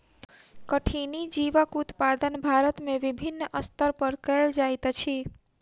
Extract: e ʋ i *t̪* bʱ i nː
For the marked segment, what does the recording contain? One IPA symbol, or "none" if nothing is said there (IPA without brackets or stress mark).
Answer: none